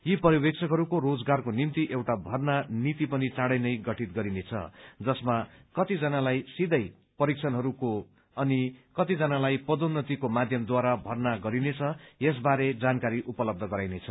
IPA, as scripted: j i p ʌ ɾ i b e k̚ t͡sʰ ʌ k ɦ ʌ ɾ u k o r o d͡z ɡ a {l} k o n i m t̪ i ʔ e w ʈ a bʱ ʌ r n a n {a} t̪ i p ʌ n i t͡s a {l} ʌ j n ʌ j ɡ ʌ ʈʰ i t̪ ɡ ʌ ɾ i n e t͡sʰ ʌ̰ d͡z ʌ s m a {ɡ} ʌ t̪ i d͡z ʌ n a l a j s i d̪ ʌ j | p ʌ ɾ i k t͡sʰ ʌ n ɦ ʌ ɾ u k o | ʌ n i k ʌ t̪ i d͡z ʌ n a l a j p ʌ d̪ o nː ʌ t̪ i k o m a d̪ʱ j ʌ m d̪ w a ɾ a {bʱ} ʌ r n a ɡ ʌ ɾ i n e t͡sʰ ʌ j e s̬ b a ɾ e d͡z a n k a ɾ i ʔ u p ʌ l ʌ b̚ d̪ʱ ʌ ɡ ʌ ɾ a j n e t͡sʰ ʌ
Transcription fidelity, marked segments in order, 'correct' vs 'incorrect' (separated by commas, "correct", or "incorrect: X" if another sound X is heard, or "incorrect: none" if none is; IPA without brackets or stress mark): incorrect: r, incorrect: i, incorrect: ɽ, incorrect: k, correct